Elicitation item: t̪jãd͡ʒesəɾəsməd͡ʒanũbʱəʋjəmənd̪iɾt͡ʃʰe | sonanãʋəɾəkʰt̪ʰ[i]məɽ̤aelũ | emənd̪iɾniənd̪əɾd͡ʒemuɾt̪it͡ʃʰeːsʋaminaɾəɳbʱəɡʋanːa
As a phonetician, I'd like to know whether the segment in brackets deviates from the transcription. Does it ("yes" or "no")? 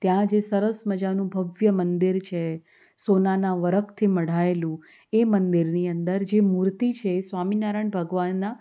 no